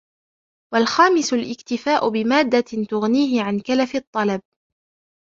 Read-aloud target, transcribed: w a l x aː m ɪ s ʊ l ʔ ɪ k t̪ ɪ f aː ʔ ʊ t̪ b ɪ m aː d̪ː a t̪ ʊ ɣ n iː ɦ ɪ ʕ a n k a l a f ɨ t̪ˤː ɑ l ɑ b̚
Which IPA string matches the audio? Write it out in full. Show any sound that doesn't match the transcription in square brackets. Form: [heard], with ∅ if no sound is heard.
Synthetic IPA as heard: w a l x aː m ɪ s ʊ l ʔ ɪ k t̪ ɪ f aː ʔ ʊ [∅] b ɪ m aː d̪ː a t̪ ʊ ɣ n iː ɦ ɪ ʕ a n k a l a f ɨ t̪ˤː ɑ l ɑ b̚